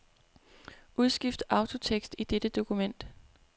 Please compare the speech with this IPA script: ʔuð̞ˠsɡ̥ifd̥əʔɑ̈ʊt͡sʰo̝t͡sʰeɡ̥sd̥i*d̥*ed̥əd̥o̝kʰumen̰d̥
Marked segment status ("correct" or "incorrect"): correct